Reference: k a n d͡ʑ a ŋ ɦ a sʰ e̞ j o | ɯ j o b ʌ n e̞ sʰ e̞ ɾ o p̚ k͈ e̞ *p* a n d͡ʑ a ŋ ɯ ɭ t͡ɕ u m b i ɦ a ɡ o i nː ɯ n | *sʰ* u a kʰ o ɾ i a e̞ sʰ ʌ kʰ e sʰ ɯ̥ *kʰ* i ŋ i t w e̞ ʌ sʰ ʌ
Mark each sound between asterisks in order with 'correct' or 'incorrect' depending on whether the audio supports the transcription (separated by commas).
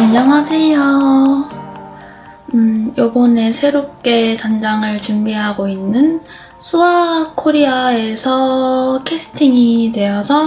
incorrect, correct, incorrect